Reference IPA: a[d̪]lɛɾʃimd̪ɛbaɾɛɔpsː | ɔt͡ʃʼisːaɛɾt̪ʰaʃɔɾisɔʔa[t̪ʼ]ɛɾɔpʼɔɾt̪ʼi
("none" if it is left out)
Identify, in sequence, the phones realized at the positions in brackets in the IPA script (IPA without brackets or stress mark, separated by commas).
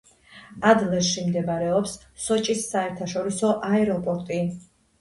d̪, none